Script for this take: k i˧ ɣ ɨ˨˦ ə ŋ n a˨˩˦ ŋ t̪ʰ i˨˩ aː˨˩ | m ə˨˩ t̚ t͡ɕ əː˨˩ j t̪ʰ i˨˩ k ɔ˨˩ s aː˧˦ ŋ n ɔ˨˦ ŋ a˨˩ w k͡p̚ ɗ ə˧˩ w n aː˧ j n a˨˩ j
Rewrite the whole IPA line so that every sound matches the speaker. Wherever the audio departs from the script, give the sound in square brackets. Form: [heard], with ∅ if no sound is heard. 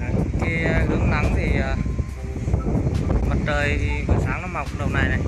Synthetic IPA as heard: k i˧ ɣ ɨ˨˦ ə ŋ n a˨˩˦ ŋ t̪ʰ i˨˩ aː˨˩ | m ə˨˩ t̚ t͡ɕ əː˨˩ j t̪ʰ i˨˩ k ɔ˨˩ s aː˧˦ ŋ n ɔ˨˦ [m] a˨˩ w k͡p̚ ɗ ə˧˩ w n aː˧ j n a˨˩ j